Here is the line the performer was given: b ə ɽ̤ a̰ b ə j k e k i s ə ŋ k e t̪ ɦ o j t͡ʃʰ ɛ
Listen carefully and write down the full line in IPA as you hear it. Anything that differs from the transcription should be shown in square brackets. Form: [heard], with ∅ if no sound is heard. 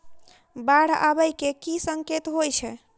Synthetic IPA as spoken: b [a] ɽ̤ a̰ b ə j k e k i s ə ŋ k e t̪ ɦ o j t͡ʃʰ ɛ